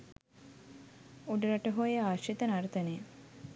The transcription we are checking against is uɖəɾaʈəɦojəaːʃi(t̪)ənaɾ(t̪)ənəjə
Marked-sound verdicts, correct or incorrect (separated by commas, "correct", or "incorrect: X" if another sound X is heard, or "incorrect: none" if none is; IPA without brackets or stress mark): correct, correct